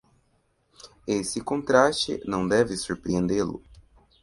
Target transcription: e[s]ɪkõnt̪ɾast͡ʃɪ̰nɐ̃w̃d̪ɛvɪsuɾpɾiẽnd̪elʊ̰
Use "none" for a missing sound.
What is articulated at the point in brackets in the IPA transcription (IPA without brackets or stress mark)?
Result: s